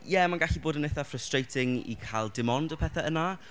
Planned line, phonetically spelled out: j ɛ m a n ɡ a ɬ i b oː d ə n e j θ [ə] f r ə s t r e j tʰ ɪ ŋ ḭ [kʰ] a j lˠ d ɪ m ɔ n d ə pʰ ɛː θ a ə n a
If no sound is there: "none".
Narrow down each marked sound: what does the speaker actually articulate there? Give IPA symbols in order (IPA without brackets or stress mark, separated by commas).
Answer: a, kʰ